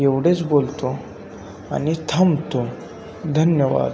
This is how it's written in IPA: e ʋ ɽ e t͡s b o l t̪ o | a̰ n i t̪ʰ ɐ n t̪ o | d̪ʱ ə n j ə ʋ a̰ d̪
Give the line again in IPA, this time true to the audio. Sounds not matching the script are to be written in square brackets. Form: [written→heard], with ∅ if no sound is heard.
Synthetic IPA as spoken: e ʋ ɽ e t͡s b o l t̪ o | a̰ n i t̪ʰ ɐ [n→m] t̪ o | d̪ʱ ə n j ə ʋ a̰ d̪